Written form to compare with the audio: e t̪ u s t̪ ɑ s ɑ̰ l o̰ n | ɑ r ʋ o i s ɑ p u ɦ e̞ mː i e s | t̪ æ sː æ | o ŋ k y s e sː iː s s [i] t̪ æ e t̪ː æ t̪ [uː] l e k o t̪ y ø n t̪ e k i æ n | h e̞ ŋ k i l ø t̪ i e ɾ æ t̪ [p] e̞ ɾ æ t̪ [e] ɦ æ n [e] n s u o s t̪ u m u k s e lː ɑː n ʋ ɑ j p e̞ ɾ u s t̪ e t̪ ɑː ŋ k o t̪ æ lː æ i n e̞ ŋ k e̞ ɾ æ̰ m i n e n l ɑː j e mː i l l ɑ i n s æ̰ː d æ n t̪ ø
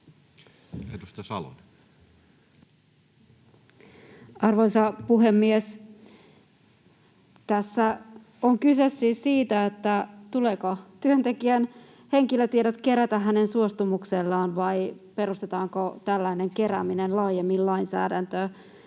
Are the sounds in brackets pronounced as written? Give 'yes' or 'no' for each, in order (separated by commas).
no, no, no, no, yes